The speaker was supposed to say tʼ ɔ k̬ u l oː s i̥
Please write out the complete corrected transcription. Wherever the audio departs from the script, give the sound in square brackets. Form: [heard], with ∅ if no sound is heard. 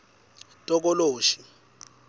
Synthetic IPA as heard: tʼ ɔ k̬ [ɔ] l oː [ʃ] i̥